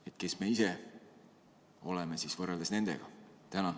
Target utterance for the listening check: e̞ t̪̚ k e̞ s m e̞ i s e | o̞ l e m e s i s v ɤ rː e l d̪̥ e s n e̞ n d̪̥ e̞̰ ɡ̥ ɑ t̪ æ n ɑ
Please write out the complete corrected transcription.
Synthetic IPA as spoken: e̞ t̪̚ k e̞ s m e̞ i s e | o̞ l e m e s i s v ɤ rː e l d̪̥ e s n e̞ n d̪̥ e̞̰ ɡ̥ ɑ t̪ æ n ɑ

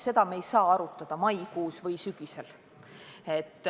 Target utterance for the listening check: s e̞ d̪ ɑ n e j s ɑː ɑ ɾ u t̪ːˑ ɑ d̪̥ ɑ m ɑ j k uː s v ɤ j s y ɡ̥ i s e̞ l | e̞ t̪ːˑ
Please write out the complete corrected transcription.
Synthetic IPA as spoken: s e̞ d̪ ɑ m e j s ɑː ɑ ɾ u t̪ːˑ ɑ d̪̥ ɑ m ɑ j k uː s v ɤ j s y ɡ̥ i s e̞ l | e̞ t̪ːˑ

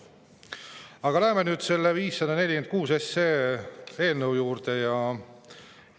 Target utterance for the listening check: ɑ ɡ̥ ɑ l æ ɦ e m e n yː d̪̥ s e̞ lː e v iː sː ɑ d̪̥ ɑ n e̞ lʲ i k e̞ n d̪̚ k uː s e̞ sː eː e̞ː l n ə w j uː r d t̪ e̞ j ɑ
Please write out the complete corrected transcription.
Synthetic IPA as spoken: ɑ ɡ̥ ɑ l æ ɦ e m e n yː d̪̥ s e̞ lː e v iː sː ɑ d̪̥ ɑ n e̞ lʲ i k e̞ n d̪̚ k uː s e̞ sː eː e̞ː l n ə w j uː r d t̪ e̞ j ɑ

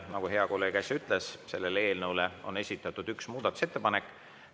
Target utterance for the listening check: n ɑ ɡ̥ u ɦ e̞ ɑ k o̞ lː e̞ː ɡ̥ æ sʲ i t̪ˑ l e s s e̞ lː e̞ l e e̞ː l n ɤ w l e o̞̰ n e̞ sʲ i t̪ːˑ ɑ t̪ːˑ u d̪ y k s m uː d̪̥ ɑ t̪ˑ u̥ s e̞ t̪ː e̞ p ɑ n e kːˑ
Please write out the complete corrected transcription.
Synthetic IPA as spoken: n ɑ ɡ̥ u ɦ e̞ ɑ k o̞ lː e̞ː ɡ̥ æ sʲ y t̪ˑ l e s s e̞ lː e̞ l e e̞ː l n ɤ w l e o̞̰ n e̞ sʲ i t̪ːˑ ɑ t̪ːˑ u d̪ y k s m uː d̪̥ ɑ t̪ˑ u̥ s e̞ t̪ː e̞ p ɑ n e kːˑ

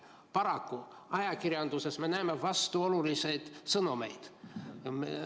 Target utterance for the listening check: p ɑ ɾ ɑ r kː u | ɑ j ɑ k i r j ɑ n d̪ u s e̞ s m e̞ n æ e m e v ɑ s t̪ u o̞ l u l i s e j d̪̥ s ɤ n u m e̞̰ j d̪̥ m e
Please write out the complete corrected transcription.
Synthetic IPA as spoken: p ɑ ɾ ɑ kː u | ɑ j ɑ k i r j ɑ n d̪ u s e̞ s m e̞ n æ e m e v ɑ s t̪ u o̞ l u l i s e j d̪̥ s ɤ n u m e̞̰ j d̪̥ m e

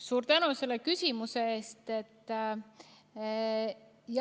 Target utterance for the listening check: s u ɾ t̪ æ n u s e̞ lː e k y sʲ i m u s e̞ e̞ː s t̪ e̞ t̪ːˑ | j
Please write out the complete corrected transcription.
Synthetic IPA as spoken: s uː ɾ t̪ æ n u s e̞ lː e k y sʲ i m u s e̞ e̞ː s t̪ e̞ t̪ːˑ | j

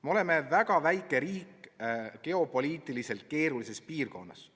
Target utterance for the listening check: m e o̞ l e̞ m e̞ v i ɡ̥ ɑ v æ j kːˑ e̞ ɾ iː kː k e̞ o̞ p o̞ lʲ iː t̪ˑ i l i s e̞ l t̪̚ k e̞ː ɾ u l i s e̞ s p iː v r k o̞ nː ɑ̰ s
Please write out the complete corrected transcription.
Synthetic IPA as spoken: m e o̞ l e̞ m e̞ v æ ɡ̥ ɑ v æ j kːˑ e̞ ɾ iː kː k e̞ o̞ p o̞ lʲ iː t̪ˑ i l i s e̞ l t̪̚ k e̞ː ɾ u l i s e̞ s p iː r k o̞ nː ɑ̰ s

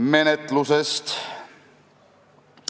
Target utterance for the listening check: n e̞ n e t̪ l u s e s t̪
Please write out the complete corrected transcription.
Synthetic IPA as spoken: m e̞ n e t̪ l u s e s t̪

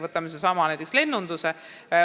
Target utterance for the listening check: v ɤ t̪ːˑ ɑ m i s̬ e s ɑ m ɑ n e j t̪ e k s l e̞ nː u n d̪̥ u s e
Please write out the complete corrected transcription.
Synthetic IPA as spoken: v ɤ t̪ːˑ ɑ m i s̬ e s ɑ m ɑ n æ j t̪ e k s l e̞ nː u n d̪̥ u s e

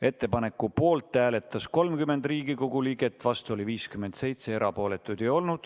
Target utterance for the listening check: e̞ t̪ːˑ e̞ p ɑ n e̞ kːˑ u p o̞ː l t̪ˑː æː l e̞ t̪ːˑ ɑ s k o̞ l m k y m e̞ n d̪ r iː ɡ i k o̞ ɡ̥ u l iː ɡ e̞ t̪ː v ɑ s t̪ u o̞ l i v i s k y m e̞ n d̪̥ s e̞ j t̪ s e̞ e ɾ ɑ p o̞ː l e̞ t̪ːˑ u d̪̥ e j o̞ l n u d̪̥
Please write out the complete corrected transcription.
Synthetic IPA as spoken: e̞ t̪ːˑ e̞ p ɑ n e̞ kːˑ u p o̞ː l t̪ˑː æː l e̞ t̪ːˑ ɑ s k o̞ l m k y m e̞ n d̪ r iː ɡ i k o̞ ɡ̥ u l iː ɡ e̞ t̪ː v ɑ s t̪ u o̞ l i v iː s k y m e̞ n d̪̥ s e̞ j t̪ s e̞ e ɾ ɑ p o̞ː l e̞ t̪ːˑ u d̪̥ e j o̞ l n u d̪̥

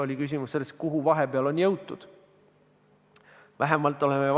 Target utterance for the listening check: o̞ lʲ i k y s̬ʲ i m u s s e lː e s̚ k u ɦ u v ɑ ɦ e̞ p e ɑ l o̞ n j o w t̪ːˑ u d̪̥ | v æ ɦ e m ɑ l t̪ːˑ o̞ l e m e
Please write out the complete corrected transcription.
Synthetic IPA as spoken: o̞ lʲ i k y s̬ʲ i m u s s e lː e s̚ k u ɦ u v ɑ ɦ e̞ p e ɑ l o̞ n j ɤ w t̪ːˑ u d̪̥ | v æ ɦ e m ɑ l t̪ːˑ o̞ l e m e

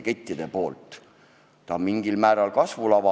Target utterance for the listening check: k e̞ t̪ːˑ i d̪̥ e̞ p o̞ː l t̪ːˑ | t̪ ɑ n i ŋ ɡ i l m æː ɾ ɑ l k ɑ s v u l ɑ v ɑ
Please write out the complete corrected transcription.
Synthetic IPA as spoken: k e̞ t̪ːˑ i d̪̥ e̞ p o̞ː l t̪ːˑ | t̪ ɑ m i ŋ ɡ i l m æː ɾ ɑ l k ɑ s v u l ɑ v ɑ

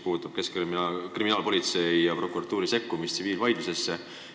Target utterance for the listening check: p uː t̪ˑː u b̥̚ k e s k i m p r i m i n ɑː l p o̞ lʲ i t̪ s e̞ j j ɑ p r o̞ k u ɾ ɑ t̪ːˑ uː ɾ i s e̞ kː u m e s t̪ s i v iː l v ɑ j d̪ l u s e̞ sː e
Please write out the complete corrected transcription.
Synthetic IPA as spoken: p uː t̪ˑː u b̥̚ k e s k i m k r i m i n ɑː l p o̞ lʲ i t̪ s e̞ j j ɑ p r o̞ k u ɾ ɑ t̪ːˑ uː ɾ i s e̞ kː u m i s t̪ s i v iː l v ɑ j d̪ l u s e̞ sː e

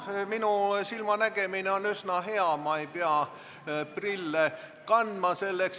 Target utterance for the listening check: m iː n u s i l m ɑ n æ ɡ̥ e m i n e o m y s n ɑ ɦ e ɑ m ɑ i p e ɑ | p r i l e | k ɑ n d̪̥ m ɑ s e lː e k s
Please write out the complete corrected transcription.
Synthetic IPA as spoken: m i n u s i l m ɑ n æ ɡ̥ e m i n e o n y s n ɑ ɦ e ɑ m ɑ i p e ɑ | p r i lː e | k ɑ n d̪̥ m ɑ s e lː e k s

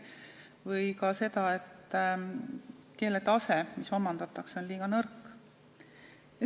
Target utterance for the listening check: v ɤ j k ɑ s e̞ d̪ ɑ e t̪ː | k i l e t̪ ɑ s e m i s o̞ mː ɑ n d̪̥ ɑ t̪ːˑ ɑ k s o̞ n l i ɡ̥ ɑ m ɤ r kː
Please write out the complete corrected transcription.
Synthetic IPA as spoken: v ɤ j k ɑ s e̞ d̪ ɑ e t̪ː | k e l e t̪ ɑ s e m i s o̞ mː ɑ n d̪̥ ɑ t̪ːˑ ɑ k s o̞ n l iː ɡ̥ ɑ n ɤ r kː

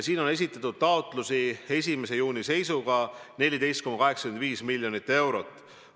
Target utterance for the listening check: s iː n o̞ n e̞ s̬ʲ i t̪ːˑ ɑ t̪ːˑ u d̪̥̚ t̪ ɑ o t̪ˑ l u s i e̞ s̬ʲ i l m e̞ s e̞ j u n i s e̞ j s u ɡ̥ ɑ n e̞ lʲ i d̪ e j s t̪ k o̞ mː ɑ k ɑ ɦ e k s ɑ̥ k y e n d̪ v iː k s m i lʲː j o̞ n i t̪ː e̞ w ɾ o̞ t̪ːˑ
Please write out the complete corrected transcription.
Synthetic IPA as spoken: s iː n o̞ n e̞ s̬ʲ i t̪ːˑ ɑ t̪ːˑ u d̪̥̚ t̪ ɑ o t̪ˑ l u s i e̞ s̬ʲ i m e̞ s e̞ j uː n i s e̞ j s u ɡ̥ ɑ n e̞ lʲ i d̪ e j s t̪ k o̞ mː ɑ k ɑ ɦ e k s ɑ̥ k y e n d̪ v iː s m i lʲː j o̞ n i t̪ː e̞ w ɾ o̞ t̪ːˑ

